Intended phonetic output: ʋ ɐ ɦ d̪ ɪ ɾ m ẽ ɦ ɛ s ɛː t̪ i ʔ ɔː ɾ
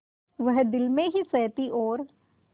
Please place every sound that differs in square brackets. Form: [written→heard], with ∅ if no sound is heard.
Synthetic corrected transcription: ʋ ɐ ɦ d̪ ɪ [ɾ→l] m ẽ ɦ [ɛ→i] s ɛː t̪ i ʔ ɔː ɾ